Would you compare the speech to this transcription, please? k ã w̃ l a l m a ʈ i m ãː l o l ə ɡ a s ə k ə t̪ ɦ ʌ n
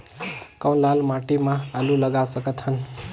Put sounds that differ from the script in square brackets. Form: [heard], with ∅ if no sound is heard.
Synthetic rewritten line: k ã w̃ l a l m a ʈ i m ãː l [u] l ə ɡ a s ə k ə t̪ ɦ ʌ n